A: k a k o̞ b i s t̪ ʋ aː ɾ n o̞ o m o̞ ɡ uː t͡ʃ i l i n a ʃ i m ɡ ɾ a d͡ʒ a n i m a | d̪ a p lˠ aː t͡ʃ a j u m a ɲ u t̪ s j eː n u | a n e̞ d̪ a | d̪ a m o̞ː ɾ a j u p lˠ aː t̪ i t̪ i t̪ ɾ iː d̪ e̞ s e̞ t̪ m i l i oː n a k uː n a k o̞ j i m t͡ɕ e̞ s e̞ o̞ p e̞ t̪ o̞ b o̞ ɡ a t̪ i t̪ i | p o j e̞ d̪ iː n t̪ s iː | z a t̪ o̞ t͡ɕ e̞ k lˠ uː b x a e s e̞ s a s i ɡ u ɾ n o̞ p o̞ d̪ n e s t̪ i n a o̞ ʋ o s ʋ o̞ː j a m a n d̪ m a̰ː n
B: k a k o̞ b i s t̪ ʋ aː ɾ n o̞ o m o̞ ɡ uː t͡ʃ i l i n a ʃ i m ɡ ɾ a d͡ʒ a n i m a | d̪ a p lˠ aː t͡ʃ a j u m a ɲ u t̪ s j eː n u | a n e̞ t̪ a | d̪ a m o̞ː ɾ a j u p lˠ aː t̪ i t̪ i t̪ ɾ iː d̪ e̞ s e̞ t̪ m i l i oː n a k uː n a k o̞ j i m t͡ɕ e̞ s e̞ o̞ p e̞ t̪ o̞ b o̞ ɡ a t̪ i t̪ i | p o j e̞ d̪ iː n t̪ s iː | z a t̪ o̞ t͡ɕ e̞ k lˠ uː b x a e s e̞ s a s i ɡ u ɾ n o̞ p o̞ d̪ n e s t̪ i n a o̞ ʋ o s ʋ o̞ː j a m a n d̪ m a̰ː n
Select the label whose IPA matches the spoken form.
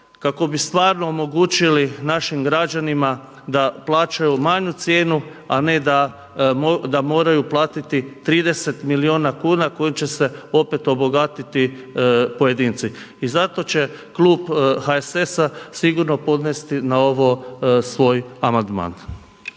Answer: A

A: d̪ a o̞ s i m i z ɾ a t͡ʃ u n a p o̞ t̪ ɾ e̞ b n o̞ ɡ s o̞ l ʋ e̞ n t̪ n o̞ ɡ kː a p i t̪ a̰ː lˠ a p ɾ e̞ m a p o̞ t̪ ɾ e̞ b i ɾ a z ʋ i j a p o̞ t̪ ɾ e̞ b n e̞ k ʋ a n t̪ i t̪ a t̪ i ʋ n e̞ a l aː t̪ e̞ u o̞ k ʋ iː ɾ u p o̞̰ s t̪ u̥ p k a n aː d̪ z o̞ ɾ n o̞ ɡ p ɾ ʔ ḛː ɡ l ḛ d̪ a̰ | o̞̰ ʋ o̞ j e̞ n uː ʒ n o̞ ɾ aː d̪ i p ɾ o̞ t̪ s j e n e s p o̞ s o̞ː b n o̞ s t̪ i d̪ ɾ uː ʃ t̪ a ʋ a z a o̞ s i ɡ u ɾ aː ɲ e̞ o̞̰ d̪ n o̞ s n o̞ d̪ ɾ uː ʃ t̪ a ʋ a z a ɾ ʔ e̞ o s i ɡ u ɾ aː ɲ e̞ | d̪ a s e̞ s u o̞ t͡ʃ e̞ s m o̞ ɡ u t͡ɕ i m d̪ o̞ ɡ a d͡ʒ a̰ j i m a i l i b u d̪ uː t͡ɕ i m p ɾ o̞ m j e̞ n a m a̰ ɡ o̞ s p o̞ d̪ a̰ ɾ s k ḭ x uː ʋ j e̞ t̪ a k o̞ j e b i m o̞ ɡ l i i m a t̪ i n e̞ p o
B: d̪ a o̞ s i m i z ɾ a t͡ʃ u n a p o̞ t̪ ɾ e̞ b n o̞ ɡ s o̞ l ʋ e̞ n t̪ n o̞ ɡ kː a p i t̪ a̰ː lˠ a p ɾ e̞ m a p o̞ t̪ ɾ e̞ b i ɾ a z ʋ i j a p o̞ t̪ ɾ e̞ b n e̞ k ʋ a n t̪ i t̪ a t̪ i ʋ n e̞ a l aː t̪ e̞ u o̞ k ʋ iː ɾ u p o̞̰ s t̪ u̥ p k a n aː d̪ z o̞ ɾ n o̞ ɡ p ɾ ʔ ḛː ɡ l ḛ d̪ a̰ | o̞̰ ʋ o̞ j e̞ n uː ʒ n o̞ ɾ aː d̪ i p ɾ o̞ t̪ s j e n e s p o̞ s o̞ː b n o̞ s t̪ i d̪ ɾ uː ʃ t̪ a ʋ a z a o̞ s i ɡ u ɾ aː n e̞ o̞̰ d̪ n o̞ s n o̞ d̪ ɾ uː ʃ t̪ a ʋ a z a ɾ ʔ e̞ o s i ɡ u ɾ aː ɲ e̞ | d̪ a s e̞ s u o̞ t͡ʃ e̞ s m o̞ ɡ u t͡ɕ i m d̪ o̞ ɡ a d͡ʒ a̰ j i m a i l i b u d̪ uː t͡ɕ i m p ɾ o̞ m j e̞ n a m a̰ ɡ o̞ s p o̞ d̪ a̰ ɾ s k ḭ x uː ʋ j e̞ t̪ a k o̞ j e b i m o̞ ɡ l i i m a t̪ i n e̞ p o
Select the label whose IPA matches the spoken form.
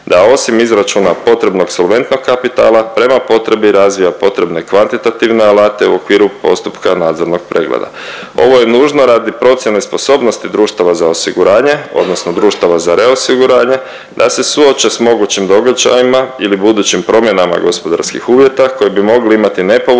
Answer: A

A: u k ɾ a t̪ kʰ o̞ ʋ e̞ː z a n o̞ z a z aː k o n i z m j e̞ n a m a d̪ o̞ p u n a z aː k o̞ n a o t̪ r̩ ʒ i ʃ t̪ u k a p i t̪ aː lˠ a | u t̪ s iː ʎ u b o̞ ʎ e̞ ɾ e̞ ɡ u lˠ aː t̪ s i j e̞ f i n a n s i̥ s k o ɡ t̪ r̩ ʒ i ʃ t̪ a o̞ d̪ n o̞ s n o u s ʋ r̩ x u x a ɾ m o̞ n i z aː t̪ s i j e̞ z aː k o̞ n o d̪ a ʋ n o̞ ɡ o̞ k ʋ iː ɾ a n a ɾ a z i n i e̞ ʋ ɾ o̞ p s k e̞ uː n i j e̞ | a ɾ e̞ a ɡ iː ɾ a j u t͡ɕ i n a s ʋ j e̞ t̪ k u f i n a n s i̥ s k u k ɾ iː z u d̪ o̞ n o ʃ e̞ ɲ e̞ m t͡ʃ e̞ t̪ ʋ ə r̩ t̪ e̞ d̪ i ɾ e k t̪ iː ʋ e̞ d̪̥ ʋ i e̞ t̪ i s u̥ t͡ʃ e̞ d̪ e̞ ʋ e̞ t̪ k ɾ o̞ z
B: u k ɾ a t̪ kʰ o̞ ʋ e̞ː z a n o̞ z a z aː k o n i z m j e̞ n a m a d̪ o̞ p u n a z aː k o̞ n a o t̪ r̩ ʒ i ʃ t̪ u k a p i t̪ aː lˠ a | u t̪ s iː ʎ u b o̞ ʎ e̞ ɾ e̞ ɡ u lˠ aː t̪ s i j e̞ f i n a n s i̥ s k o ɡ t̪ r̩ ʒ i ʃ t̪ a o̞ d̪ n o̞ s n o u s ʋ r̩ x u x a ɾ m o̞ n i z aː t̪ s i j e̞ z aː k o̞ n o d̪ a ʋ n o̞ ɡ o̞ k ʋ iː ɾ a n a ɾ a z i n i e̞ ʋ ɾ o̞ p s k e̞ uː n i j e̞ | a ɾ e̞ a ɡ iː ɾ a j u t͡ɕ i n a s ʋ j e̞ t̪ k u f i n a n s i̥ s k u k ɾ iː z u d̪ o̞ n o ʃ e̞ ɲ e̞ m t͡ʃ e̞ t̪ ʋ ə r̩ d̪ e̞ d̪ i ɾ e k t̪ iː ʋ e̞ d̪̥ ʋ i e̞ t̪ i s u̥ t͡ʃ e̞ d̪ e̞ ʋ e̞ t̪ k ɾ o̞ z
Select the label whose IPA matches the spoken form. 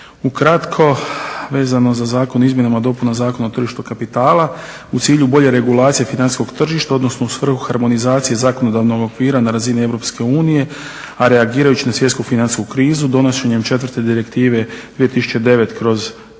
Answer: A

